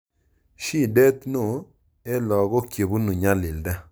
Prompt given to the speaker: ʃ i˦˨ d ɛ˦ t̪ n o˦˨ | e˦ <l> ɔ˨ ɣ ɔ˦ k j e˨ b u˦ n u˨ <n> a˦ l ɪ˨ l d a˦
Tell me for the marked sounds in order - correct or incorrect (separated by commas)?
correct, incorrect